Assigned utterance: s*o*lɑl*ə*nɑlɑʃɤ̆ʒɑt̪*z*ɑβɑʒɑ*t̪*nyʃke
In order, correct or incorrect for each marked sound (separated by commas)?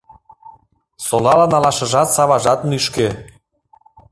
correct, incorrect, incorrect, correct